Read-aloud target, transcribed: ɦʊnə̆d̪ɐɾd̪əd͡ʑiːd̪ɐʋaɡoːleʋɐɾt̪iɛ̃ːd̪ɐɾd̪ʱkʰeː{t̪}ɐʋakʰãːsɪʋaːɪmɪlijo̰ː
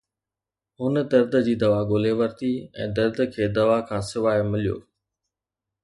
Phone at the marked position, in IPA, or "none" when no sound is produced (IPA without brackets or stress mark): d̪